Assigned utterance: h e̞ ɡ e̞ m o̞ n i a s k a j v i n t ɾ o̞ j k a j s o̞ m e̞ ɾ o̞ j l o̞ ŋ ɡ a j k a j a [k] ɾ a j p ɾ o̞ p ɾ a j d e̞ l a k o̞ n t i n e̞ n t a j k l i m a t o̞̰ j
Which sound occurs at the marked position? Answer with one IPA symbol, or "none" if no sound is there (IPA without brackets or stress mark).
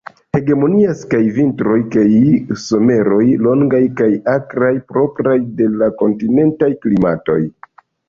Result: k